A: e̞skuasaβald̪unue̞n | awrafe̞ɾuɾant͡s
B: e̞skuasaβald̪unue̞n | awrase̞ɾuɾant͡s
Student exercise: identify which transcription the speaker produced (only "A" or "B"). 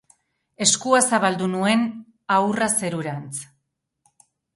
B